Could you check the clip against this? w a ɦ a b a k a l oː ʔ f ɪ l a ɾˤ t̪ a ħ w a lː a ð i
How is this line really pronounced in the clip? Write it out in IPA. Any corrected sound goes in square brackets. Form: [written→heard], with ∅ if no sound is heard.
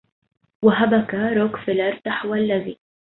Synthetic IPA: w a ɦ a b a k a [l→ɾ] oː [ʔ→k] f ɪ l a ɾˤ t̪ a ħ w a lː a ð i